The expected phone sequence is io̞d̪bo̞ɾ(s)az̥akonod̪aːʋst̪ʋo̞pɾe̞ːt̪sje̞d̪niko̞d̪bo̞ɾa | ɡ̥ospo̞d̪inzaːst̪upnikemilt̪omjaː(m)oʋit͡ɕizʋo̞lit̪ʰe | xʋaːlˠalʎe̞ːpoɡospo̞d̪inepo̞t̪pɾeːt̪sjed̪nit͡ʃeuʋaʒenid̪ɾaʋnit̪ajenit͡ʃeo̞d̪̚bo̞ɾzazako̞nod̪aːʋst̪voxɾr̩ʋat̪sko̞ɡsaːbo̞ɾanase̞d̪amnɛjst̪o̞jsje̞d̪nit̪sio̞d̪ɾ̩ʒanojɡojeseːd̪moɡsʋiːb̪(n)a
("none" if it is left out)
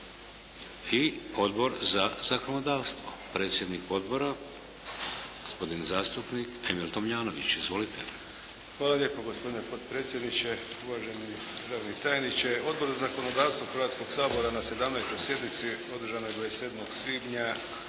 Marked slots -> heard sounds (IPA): z, n, ɲ

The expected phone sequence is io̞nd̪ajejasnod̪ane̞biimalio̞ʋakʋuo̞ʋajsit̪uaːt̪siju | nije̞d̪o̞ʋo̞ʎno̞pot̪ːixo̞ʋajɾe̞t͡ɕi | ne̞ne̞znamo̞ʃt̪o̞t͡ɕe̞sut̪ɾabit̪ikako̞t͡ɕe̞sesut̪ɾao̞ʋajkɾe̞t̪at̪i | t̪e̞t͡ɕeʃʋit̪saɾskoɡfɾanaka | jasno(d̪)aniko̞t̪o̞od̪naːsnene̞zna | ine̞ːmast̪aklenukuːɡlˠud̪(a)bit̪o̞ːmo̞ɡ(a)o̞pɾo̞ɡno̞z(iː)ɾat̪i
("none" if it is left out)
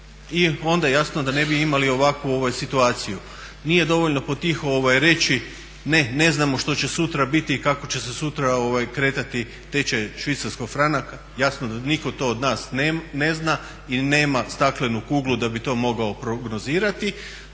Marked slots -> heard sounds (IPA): d̪, a, a, iː

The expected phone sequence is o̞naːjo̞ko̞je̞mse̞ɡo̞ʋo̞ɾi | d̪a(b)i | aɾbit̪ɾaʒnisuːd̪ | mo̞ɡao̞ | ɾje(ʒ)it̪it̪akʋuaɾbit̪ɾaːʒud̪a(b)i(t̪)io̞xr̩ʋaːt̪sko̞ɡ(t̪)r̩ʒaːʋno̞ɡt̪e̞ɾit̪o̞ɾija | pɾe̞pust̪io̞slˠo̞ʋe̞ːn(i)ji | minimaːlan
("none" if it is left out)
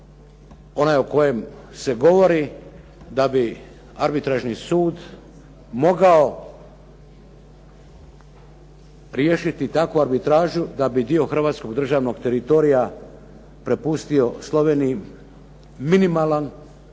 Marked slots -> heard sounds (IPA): b, ʃ, b, d̪, d̪, i

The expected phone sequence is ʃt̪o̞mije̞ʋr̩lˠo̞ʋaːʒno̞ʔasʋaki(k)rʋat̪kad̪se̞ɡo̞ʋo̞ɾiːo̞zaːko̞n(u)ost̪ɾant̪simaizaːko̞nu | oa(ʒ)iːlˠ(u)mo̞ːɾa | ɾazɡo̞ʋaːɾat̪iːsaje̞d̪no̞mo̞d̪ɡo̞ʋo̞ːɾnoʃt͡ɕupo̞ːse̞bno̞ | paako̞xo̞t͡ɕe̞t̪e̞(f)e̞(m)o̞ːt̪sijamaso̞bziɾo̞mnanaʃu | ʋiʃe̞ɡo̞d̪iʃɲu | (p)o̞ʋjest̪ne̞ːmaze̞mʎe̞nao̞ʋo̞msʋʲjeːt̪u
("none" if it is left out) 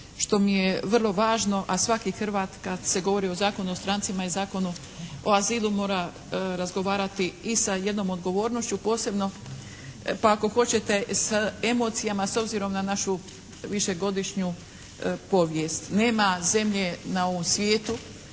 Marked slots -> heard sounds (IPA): x, u, z, u, s, m, p

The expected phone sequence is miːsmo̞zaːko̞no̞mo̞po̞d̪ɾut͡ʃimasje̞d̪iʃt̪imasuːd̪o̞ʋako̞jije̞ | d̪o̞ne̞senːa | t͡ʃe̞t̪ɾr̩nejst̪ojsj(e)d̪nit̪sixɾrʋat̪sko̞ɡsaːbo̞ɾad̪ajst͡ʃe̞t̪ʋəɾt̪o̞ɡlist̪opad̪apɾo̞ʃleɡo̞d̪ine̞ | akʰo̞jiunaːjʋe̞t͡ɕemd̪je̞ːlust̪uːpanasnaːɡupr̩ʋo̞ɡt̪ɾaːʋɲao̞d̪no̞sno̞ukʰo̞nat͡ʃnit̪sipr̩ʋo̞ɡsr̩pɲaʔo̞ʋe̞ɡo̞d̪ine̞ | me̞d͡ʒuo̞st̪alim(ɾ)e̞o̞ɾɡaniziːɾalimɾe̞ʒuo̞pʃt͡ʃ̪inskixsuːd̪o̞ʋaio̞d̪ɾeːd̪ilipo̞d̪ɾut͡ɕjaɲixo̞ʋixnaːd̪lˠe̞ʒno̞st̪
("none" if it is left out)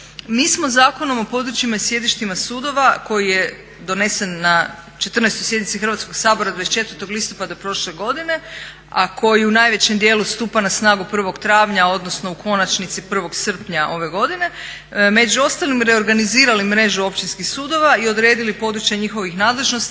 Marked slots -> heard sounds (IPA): e, ɾ

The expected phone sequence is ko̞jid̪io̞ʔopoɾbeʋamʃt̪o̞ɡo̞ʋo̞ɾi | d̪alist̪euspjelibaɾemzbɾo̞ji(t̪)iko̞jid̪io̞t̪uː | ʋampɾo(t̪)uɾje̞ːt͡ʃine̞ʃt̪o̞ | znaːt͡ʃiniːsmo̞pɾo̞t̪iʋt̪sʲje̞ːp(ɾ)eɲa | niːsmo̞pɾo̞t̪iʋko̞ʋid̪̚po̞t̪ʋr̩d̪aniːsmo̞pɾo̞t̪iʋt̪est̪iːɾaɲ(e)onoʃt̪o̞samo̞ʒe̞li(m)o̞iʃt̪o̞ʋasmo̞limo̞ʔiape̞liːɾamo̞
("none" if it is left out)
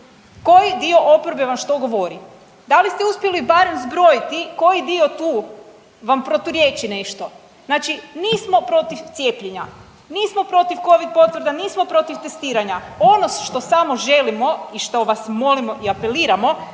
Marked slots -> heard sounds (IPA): t̪, t̪, ʎ, a, m

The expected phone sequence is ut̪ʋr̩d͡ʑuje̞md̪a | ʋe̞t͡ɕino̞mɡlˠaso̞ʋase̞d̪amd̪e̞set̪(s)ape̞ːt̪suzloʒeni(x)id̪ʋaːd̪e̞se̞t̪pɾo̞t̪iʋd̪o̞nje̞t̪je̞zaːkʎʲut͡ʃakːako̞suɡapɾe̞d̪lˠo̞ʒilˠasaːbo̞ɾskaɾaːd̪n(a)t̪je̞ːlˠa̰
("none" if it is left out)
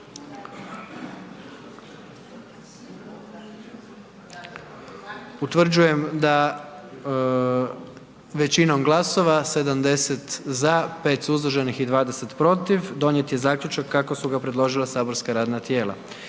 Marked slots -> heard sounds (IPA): z, x, a

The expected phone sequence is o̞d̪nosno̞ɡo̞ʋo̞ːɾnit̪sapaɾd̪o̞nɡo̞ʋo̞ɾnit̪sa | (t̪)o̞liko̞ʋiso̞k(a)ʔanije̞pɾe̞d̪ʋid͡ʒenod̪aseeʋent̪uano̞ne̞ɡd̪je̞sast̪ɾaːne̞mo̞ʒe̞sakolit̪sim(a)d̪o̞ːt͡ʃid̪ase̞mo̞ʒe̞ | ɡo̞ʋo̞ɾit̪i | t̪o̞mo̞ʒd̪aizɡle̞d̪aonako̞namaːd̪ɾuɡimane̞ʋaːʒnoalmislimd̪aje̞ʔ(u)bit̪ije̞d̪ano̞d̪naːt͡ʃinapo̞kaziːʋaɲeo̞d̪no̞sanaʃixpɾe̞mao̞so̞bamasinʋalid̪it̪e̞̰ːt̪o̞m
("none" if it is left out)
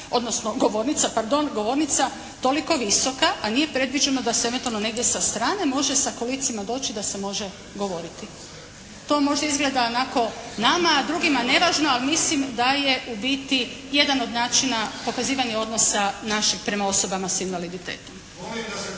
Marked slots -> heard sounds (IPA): t̪, a, a, u

